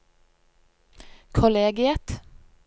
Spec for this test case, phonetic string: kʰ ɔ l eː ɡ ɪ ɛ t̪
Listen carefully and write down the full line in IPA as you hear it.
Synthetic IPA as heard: kʰ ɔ l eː ɡ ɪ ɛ t̪